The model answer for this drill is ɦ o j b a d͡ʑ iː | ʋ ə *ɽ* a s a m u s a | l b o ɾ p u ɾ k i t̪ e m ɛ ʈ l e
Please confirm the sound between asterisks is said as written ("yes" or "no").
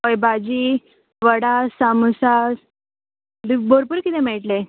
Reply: yes